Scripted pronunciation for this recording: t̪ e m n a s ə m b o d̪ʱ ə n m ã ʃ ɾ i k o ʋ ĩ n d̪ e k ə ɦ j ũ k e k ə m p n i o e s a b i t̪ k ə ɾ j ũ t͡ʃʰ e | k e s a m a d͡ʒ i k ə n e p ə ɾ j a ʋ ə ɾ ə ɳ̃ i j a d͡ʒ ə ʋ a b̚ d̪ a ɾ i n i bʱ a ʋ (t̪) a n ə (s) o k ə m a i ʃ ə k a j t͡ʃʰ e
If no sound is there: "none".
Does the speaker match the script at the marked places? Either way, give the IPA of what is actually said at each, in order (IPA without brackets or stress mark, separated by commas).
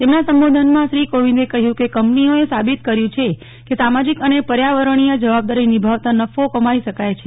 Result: t̪, f